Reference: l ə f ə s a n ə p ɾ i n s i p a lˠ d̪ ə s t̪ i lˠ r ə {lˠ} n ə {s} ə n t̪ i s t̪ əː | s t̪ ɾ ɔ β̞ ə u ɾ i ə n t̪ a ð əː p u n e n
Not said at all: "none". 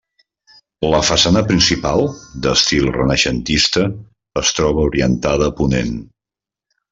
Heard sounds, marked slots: none, ʃ

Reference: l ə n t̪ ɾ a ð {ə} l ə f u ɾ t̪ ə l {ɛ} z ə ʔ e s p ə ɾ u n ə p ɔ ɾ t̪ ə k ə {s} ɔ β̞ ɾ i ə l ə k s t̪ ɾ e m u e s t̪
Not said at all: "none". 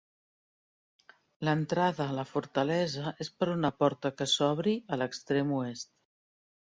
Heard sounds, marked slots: əː, ɛ, s

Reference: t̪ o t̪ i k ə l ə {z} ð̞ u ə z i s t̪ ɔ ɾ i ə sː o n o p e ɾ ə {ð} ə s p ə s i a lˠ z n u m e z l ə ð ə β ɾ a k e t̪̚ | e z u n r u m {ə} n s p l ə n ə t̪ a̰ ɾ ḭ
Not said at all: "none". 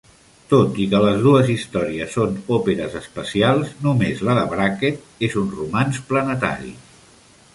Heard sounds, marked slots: z, z, a

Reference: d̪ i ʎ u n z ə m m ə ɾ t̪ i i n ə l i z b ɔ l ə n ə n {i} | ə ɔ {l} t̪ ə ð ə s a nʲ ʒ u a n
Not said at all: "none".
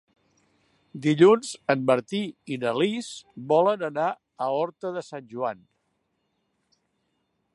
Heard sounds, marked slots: a, ɾ

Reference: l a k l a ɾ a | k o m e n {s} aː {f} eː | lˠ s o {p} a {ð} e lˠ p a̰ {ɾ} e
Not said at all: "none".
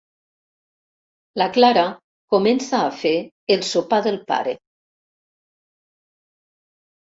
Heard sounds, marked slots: s, f, p, ð, ɾ

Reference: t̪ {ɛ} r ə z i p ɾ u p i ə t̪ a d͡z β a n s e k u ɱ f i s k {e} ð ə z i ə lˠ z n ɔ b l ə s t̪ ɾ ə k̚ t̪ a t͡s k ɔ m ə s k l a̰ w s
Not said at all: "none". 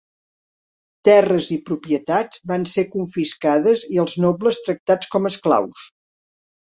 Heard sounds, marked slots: ɛ, a

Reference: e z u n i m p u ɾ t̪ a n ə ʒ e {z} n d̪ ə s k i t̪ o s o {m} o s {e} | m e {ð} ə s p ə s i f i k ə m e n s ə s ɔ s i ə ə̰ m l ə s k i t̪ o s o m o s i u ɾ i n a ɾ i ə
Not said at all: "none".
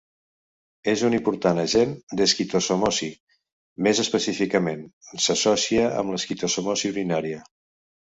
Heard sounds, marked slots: none, m, i, z

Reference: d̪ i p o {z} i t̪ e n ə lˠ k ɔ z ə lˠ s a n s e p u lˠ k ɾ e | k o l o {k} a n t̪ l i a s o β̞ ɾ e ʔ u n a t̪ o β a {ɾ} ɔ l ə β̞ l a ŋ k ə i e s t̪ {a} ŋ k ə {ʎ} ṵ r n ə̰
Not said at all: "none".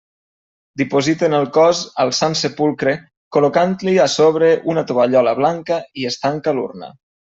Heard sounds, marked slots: z, k, ʎ, a, l

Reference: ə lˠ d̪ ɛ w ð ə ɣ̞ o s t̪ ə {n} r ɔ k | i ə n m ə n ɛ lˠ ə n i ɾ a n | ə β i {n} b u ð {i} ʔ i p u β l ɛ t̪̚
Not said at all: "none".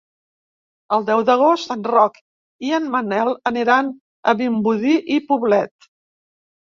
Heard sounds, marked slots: n, m, i

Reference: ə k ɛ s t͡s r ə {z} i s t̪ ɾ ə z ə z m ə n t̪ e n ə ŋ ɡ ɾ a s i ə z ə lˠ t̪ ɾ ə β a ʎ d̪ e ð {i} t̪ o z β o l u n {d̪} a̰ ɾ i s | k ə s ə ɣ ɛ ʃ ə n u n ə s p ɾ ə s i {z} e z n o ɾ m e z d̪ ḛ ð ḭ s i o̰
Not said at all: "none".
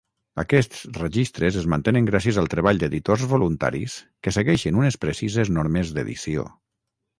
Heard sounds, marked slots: ʒ, i, t̪, z

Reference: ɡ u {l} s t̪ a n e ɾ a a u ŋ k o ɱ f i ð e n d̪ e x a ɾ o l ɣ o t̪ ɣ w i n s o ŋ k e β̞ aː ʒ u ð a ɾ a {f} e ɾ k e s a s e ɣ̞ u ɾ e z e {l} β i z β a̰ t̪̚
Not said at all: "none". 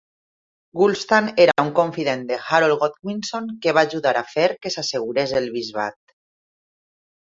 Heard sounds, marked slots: l, f, l

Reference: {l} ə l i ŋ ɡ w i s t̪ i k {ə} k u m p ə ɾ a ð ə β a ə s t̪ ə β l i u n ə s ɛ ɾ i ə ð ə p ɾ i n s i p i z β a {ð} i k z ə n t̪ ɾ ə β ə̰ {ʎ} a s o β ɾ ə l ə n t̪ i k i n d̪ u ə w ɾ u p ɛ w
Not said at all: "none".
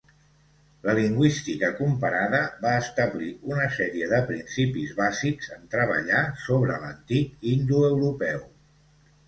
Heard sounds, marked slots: l, ə, z, ʎ

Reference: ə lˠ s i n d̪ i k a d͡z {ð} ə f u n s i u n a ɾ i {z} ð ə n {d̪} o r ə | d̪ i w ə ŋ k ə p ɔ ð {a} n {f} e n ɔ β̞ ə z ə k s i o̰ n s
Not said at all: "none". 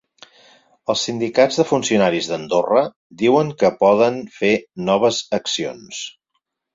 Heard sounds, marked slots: ð, z, d̪, ə, f

